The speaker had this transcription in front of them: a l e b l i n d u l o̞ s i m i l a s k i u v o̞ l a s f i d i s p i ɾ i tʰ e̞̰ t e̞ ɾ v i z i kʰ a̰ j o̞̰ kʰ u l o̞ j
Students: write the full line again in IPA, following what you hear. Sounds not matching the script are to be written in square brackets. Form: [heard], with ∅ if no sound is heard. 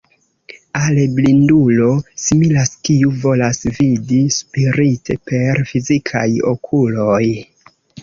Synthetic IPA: a l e b l i n d u l o̞ s i m i l a s k i u v o̞ l a s [v] i d i s p i ɾ i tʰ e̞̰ [p] e̞ ɾ [f] i z i kʰ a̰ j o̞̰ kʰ u l o̞ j